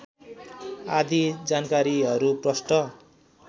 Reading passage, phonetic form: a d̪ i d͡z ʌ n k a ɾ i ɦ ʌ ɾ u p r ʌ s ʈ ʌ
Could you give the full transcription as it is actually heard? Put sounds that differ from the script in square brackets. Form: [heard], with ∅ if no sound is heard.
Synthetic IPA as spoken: a d̪ i d͡z [a] n k a ɾ i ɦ ʌ ɾ u p r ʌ s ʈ ʌ